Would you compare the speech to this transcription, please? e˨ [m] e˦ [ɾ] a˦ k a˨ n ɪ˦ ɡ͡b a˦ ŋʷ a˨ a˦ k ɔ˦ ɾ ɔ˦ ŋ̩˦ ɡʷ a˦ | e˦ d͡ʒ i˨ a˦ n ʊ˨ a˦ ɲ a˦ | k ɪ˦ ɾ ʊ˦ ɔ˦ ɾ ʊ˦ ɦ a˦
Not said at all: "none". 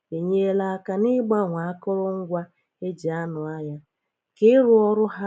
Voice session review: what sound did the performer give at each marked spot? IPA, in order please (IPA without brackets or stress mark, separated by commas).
ɲ, l